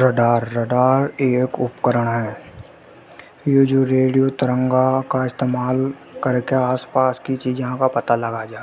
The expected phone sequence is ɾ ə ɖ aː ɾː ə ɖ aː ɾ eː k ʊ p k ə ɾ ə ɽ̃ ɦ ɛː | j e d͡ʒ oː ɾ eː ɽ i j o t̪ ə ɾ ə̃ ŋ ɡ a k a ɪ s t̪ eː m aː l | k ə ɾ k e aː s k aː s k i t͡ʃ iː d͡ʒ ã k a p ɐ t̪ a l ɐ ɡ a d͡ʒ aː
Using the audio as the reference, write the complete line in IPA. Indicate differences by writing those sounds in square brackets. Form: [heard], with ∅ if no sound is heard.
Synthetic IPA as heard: ɾ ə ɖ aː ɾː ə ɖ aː ɾ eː k ʊ p k ə ɾ ə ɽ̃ ɦ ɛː | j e d͡ʒ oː ɾ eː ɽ i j o t̪ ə ɾ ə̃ ŋ ɡ a k a ɪ s t̪ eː m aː l | k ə ɾ k e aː s [p] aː s k i t͡ʃ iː d͡ʒ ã k a p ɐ t̪ a l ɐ ɡ a d͡ʒ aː